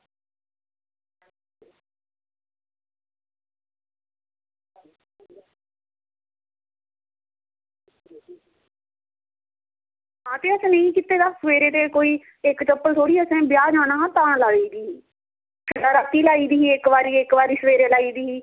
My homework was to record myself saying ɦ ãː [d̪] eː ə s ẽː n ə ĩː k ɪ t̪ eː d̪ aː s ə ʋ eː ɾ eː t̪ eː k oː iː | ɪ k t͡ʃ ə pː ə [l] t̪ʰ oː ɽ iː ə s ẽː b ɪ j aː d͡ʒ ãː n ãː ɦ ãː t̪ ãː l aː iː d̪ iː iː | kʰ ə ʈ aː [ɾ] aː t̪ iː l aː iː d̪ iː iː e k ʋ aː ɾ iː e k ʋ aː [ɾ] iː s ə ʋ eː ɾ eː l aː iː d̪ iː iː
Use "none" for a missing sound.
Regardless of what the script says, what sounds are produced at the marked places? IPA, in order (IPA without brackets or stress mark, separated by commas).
t̪, l, ɾ, ɾ